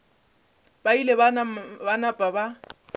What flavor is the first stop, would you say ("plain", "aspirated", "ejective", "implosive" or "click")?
plain